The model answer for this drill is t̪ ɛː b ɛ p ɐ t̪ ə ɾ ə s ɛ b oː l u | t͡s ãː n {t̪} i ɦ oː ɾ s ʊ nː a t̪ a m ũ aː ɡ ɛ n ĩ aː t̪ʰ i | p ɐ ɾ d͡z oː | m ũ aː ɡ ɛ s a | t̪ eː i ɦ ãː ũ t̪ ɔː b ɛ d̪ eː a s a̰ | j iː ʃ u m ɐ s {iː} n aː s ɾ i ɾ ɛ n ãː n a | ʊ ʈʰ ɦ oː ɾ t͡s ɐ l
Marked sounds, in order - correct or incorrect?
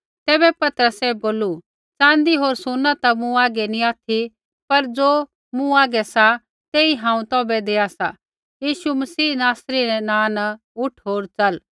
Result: incorrect: d̪, correct

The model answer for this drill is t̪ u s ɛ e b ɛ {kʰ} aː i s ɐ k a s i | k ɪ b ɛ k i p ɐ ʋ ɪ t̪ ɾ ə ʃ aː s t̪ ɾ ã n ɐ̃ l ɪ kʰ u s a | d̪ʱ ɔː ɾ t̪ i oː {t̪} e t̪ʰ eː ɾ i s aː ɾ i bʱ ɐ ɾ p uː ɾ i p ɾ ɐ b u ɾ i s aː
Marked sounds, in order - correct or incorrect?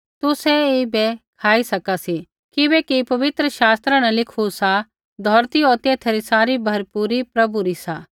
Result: correct, correct

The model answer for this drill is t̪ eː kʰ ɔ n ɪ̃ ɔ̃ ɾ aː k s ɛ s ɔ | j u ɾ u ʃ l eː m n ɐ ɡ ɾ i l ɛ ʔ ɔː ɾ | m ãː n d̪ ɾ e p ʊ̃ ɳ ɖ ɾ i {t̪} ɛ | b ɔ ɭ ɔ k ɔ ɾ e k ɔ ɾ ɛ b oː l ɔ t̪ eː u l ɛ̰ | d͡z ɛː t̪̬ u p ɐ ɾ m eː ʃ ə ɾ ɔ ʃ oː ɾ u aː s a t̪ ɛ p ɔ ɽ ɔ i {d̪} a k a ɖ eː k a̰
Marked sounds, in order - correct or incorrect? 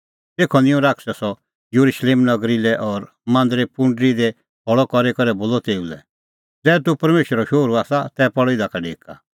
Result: incorrect: d̪, correct

